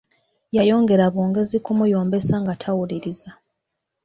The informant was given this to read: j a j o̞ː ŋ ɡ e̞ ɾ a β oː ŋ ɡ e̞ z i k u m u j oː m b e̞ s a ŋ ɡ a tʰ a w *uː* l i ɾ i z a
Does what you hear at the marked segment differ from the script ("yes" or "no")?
yes